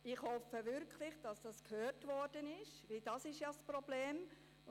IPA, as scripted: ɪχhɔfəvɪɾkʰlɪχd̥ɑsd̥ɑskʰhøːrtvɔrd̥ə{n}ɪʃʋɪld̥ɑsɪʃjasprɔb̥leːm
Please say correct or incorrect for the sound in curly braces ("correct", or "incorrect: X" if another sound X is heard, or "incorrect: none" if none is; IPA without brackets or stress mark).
correct